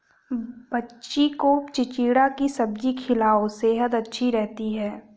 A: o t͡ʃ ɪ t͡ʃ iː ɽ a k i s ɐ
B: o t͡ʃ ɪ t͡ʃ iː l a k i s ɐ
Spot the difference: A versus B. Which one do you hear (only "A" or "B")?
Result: A